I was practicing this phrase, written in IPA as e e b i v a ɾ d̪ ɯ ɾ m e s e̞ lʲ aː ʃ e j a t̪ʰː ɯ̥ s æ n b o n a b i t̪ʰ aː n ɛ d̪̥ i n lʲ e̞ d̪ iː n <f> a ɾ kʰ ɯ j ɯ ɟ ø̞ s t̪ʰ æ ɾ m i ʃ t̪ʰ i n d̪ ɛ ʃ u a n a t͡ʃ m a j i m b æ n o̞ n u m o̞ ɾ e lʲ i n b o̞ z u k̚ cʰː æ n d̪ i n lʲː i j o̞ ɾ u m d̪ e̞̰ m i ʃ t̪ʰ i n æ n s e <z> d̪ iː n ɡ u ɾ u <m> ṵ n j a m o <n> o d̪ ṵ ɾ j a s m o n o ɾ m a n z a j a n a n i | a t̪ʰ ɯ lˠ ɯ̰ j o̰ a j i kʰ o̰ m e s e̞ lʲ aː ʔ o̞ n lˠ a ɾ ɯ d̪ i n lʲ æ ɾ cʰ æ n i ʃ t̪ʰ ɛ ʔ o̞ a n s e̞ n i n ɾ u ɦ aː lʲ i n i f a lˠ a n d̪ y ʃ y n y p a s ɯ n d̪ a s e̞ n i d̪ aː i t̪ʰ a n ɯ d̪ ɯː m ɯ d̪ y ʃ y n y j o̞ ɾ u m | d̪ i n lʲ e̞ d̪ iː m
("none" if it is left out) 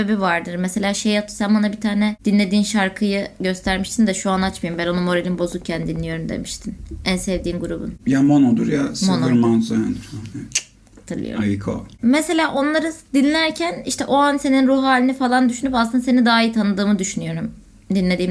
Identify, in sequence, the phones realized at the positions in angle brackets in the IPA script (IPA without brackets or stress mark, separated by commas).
ʃ, v, b, n